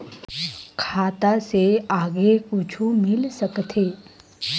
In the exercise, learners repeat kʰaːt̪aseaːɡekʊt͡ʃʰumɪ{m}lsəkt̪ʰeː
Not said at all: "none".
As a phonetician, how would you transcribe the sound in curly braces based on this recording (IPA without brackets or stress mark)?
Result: none